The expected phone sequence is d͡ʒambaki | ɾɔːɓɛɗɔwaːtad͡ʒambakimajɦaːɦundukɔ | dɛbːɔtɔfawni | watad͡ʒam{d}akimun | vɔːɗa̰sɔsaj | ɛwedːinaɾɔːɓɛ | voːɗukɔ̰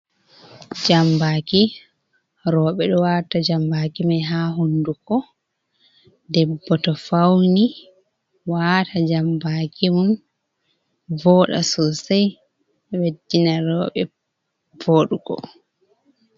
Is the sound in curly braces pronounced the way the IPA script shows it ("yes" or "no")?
no